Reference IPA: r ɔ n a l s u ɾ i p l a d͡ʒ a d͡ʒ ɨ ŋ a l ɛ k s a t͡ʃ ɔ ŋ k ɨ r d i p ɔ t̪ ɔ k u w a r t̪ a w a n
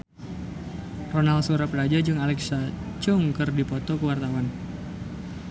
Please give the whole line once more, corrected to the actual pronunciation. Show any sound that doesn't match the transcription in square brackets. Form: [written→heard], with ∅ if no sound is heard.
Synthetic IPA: r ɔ n a l s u ɾ [i→a] p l a d͡ʒ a d͡ʒ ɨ ŋ a l ɛ k s a t͡ʃ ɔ ŋ k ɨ r d i p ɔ t̪ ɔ k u w a r t̪ a w a n